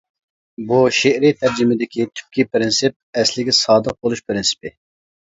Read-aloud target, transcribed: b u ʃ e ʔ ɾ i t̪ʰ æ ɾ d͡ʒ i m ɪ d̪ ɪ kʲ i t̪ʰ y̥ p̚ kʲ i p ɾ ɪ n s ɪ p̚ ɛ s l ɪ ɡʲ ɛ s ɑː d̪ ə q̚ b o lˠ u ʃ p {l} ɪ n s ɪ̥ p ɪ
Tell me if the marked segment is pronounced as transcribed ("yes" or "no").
no